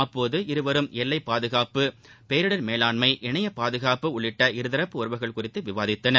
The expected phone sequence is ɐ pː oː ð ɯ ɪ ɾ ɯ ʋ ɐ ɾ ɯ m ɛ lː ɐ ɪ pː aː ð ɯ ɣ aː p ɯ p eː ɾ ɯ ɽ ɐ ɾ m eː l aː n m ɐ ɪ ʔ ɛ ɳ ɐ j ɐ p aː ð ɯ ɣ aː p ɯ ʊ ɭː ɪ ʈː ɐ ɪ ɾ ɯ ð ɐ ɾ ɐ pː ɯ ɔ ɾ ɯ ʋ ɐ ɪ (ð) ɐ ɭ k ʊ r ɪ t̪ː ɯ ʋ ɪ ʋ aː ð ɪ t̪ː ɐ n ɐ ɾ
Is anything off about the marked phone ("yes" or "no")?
yes